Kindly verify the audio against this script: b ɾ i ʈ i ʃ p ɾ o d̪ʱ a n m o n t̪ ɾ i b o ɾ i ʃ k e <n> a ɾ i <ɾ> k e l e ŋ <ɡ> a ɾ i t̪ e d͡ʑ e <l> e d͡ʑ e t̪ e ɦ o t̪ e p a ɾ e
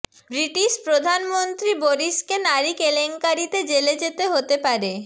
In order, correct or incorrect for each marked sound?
correct, incorrect, incorrect, correct

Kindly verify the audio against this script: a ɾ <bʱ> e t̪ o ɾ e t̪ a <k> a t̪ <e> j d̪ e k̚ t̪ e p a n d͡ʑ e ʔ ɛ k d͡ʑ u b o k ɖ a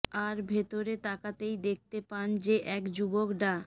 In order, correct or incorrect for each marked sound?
correct, correct, correct

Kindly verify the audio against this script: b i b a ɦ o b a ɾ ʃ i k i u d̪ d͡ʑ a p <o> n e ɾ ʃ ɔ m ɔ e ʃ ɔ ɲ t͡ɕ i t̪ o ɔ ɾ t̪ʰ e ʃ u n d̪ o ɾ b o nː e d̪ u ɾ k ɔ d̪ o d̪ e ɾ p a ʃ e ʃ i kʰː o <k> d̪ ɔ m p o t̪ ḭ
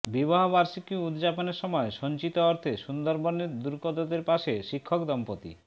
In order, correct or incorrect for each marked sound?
correct, correct

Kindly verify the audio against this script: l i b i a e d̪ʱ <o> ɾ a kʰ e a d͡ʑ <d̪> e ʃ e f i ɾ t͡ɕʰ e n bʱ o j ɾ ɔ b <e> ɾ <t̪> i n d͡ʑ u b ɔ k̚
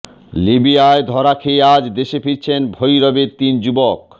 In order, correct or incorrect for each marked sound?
incorrect, correct, correct, correct

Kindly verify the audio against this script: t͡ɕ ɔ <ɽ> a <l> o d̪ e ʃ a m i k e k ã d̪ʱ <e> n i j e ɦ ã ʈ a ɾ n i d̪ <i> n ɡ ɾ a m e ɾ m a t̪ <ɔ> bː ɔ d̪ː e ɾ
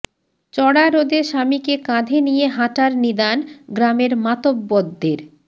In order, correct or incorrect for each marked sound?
correct, incorrect, correct, incorrect, incorrect

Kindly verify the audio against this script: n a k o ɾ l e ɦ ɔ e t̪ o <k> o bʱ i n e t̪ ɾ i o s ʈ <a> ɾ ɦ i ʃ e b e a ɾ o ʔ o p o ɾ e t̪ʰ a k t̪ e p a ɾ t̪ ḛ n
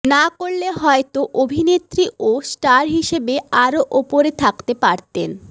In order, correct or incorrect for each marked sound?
incorrect, correct

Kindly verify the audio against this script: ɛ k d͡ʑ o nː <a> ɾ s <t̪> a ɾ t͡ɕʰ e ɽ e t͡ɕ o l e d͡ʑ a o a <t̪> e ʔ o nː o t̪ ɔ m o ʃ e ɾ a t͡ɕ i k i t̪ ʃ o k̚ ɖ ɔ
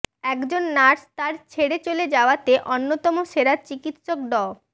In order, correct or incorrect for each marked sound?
correct, correct, correct

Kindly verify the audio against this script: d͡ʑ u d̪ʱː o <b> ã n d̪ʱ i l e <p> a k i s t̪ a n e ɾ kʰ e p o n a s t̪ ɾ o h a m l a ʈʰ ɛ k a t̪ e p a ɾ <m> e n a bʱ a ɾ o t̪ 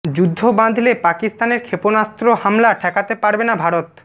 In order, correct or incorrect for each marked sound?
correct, correct, incorrect

